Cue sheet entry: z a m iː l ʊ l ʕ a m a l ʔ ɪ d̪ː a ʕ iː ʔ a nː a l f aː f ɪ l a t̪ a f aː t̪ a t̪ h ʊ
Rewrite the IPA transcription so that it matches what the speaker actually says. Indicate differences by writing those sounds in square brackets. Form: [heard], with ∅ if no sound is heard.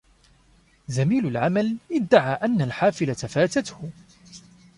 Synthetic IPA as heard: z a m iː l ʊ l ʕ a m a l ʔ ɪ d̪ː a ʕ [aː] ʔ a nː a l [ħ] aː f ɪ l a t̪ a f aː t̪ a t̪ h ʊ